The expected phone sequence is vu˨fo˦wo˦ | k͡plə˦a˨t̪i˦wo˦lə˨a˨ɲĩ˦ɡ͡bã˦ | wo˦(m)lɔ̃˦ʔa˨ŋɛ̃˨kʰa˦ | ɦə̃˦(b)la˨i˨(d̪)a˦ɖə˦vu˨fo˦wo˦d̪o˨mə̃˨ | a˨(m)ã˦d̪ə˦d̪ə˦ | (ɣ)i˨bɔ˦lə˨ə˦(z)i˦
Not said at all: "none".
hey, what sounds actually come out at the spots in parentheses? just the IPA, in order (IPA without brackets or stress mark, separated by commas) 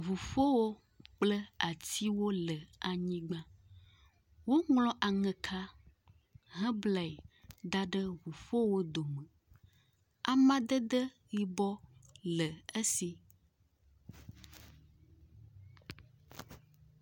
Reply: ŋ, b, d̪, m, ɣ, s